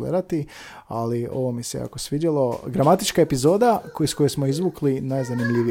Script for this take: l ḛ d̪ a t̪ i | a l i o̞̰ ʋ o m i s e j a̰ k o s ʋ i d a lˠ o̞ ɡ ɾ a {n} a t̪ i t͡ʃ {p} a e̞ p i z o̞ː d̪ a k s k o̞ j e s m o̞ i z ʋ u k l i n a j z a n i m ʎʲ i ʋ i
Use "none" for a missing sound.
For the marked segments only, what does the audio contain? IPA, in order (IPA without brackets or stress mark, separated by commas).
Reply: m, k